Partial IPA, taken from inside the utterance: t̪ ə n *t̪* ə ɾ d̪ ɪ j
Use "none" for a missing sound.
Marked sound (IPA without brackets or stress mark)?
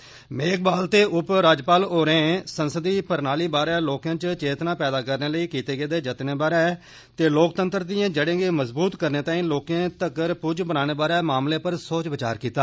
t̪